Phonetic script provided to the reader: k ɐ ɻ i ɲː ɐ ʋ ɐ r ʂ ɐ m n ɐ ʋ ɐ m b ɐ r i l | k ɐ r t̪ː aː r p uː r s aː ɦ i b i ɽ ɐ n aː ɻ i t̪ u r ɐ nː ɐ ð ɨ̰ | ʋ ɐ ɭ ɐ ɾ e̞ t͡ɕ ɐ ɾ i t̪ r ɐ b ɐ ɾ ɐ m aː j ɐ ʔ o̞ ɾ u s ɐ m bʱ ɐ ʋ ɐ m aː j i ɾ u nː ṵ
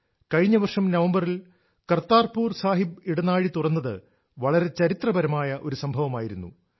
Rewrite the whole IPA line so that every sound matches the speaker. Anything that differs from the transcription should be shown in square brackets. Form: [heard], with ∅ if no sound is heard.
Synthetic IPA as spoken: k ɐ ɻ i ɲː ɐ ʋ ɐ r ʂ ɐ m n ɐ ʋ ɐ m b ɐ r i l | k ɐ r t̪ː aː r p uː r s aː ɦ i b i ɽ ɐ n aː ɻ i t̪ u r ɐ nː ɐ ð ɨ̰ | ʋ ɐ ɭ ɐ ɾ e̞ t͡ɕ ɐ ɾ i t̪ r ɐ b ɐ ɾ ɐ m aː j ɐ ʔ o̞ ɾ u s ɐ m bʱ ɐ ʋ ɐ m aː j i ɾ u nː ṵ